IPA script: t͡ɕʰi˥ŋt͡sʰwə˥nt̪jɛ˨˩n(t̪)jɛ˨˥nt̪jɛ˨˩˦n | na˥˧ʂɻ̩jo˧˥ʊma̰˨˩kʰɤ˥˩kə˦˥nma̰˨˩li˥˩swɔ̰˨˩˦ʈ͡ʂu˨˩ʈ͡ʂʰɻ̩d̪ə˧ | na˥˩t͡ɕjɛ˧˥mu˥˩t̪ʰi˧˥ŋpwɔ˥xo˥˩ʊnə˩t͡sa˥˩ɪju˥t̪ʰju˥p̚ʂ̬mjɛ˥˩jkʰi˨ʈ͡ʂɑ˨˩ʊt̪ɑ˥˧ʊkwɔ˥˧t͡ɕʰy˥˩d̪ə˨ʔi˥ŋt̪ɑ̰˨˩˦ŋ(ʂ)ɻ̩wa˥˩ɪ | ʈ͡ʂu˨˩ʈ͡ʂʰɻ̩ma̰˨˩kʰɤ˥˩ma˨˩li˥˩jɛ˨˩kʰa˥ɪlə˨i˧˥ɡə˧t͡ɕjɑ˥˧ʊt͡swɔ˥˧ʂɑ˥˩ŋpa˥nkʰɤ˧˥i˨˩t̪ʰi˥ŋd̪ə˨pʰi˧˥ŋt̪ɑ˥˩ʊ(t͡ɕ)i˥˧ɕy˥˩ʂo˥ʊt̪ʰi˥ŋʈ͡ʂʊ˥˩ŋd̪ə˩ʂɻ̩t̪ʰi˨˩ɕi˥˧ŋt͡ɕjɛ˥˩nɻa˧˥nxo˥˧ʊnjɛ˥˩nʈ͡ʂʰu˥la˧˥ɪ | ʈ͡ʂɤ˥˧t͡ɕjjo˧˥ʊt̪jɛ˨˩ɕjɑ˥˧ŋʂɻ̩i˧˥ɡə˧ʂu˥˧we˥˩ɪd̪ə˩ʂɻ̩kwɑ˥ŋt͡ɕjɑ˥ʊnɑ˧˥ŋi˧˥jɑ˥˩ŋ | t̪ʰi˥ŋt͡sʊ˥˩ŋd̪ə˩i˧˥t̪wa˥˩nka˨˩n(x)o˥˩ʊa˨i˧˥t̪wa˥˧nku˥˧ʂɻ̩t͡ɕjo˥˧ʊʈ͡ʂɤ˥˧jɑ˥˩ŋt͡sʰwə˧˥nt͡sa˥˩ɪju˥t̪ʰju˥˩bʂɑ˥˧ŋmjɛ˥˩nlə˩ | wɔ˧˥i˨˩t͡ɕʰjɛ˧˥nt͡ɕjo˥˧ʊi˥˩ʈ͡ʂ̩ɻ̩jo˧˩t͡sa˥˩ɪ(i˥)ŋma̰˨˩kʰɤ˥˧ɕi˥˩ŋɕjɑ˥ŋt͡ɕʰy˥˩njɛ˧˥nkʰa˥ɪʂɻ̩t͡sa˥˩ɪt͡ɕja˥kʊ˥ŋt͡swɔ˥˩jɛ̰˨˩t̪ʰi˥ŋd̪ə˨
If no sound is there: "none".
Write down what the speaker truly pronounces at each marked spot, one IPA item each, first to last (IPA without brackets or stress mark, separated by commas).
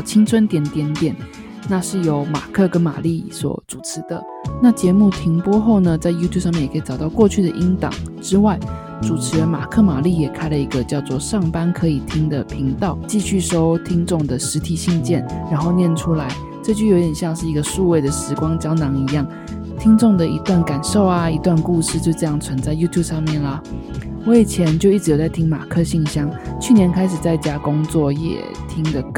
t̪, ʈ͡ʂ, t͡ɕ, ʂ, i˥